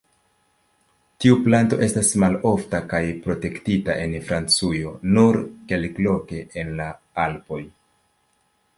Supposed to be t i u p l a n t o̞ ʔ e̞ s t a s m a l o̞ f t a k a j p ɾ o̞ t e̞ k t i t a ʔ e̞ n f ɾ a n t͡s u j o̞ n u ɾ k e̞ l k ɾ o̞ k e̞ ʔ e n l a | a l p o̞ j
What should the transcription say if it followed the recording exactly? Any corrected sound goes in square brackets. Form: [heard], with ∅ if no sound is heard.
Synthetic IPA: t i u p l a n t o̞ ʔ e̞ s t a s m a l o̞ f t a k a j p ɾ o̞ t e̞ k t i t a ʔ e̞ n f ɾ a n t͡s u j o̞ n u ɾ k e̞ l k [l] o̞ k e̞ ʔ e n l a | a l p o̞ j